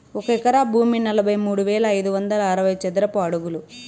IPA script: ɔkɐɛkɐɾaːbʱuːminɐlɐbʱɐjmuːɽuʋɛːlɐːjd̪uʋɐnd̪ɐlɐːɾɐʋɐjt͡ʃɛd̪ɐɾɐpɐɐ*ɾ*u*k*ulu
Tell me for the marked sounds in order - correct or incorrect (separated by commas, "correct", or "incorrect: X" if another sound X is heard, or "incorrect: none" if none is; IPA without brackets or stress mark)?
incorrect: ɽ, incorrect: ɡ